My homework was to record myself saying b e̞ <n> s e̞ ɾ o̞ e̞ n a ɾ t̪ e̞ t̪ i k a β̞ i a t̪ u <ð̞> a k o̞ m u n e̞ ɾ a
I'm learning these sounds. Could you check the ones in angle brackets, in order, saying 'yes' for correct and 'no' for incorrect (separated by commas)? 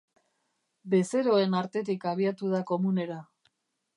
no, yes